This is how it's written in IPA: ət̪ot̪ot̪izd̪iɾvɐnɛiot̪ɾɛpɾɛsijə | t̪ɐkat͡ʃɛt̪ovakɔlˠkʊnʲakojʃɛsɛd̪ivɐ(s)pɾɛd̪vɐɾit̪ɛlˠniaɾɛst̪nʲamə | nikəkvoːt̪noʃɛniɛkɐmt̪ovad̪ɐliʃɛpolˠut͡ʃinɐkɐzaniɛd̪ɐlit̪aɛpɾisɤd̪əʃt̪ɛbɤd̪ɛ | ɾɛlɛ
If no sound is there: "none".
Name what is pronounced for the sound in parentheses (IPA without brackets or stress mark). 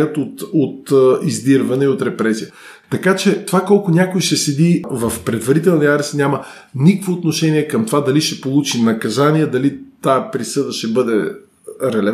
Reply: f